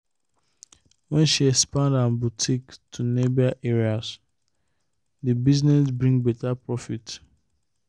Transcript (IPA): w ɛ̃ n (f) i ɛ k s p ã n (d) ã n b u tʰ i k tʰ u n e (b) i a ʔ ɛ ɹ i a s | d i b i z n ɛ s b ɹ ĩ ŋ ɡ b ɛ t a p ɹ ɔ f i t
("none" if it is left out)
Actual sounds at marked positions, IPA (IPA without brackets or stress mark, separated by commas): ʃ, d, b